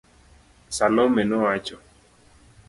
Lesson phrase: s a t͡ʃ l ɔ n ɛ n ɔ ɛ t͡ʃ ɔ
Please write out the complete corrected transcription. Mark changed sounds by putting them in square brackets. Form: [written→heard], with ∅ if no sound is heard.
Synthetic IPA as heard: s a [t͡ʃ→∅] l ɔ [n→m] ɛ n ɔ [ɛ→a] t͡ʃ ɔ